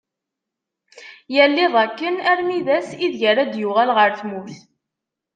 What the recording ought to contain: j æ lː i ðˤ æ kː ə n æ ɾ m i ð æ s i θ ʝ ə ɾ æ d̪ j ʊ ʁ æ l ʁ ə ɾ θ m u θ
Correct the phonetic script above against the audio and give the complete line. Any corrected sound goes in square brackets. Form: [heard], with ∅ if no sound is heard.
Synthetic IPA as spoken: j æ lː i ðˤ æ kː ə n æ ɾ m i ð æ s i [ð] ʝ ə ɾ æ d̪ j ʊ ʁ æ l ʁ ə ɾ θ m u θ